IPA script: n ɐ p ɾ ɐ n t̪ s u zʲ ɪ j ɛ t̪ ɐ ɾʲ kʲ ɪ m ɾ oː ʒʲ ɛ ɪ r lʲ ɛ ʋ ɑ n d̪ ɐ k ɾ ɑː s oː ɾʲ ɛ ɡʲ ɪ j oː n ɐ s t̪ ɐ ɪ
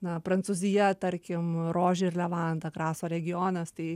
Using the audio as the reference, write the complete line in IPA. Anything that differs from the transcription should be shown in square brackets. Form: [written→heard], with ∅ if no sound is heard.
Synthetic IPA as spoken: n ɐ p ɾ ɐ n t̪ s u zʲ ɪ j ɛ t̪ ɐ ɾʲ kʲ ɪ m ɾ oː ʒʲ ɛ ɪ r lʲ ɛ ʋ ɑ n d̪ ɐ k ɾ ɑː s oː ɾʲ ɛ ɡʲ ɪ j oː n ɐ s t̪ ɐ ɪ